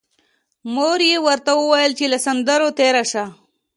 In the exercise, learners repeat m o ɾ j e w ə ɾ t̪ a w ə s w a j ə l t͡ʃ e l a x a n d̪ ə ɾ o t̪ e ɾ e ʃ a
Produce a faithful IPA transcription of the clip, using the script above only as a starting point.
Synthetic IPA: m o ɾ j e w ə ɾ t̪ a w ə w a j ə l t͡ʃ e l a s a n d̪ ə ɾ o t̪ e ɾ a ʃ a